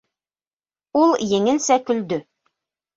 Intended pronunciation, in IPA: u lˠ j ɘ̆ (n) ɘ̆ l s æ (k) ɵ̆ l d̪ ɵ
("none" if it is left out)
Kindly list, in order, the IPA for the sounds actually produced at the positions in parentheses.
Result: ŋ, k

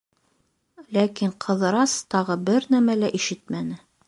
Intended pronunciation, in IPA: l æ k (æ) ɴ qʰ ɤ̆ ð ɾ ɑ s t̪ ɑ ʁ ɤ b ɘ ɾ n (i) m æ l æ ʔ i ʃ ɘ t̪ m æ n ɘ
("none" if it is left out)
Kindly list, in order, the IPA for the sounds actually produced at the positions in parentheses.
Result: i, æ

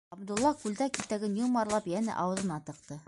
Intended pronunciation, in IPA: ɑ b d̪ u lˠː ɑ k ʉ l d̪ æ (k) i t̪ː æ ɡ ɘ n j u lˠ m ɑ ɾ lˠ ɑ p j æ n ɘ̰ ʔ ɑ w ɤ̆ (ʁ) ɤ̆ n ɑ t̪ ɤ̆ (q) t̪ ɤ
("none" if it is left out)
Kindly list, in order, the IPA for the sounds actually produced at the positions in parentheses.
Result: k, ð, q

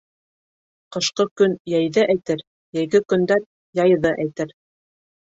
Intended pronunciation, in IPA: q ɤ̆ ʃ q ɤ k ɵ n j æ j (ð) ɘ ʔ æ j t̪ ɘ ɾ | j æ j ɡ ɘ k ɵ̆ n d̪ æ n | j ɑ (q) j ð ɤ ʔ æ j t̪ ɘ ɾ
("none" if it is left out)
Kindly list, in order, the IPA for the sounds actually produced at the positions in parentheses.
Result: ð, none

